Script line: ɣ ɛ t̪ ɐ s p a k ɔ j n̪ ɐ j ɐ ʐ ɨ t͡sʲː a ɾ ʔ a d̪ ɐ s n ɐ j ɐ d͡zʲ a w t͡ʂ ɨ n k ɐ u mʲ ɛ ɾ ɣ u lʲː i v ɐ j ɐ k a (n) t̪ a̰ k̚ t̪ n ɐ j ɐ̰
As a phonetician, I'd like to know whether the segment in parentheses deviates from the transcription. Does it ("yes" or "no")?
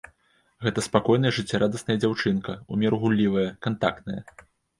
no